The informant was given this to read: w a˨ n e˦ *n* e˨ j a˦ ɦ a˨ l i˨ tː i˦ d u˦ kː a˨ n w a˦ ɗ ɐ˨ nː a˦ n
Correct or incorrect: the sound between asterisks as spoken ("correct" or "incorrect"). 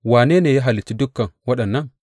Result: correct